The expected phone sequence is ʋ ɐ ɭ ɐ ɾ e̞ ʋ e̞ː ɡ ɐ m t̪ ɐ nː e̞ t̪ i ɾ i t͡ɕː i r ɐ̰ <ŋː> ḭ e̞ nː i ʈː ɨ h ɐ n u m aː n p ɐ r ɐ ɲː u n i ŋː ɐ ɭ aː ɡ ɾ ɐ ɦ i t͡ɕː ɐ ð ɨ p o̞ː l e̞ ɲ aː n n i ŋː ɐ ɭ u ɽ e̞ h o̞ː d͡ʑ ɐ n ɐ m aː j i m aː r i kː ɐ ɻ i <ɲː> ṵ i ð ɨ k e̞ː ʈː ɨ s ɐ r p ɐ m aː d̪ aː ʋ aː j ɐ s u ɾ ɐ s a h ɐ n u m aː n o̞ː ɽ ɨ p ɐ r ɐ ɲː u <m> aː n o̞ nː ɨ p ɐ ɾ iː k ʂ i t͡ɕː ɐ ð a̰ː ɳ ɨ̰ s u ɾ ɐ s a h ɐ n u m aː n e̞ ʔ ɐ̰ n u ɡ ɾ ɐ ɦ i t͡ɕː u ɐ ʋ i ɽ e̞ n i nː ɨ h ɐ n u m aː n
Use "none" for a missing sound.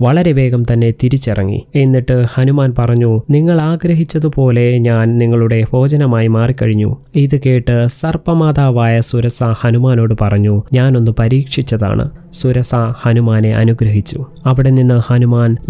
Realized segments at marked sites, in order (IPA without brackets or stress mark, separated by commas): ŋː, ɲː, ɲ